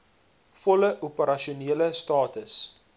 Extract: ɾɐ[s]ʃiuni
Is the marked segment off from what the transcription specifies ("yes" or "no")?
yes